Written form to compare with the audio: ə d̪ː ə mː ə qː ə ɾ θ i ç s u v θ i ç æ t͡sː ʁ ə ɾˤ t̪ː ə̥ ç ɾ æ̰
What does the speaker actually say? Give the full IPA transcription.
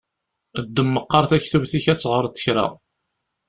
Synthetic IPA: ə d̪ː ə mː ə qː ɑ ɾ θ æ ç θ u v θ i ç æ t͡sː ʁ ə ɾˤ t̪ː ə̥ ç ɾ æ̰